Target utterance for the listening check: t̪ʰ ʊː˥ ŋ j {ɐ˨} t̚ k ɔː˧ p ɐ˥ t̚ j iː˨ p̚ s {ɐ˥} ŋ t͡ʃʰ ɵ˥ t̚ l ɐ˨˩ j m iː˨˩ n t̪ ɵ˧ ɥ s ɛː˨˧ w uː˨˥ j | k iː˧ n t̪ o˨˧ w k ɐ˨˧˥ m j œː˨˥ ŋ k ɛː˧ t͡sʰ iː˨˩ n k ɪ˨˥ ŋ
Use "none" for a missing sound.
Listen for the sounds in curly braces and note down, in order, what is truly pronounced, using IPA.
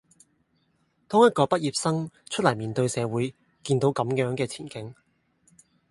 ɐ˥, ɐ˥

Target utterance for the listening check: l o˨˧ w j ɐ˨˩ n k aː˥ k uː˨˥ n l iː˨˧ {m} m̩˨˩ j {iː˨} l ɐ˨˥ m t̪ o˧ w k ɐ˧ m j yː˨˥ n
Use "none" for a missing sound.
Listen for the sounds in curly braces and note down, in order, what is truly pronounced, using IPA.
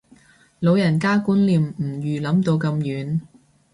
m, yː˨

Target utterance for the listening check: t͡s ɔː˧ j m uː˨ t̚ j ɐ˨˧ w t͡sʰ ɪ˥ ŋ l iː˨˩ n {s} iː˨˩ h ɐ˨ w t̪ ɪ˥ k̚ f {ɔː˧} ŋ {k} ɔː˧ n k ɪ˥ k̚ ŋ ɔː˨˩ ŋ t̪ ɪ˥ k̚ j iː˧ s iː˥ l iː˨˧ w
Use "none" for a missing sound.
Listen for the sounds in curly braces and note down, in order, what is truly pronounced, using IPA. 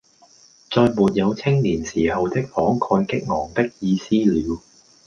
s, ɔː˨˥, kʰ

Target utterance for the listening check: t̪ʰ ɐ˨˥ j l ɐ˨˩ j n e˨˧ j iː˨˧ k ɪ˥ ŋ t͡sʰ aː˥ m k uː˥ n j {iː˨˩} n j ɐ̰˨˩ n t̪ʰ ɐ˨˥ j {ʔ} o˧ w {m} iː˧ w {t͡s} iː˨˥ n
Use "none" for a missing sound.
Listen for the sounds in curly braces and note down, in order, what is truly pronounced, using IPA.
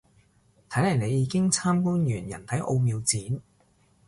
yː˨˩, ʔ, m, t͡s

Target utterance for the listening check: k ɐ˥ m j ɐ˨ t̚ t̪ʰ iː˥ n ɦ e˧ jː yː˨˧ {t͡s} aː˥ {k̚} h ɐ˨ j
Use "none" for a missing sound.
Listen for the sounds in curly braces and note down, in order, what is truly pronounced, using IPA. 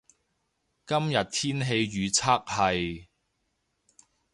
t͡sʰ, k̚

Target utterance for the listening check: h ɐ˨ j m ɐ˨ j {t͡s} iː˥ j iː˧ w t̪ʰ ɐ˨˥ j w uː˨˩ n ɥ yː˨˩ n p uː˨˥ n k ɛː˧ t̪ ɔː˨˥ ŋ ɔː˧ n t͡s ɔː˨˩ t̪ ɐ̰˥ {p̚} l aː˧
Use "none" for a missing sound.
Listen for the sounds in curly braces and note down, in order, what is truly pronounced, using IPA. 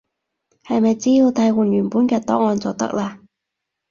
t͡s, k̚

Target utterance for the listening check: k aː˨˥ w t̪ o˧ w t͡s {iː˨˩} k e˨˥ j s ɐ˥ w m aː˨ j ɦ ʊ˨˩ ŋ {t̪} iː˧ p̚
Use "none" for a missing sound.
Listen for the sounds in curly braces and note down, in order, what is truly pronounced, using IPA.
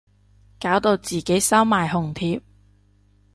iː˨˩, t̪ʰ

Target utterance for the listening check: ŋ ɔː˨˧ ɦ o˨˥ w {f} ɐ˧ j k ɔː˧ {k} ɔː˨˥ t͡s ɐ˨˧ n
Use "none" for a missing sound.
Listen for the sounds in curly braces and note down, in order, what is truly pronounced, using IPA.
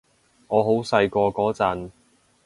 s, k

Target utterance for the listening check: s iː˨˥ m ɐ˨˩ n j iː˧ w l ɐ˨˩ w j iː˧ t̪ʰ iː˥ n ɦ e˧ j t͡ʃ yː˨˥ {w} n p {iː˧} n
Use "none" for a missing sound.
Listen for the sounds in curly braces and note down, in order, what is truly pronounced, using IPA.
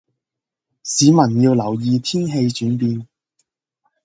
none, iː˧

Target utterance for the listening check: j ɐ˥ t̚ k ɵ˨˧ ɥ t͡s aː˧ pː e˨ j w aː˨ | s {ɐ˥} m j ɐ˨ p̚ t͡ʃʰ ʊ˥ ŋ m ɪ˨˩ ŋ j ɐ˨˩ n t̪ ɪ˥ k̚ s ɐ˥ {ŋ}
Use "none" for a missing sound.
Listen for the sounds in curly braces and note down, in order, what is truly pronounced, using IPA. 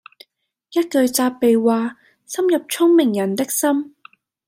ɐ˥, m

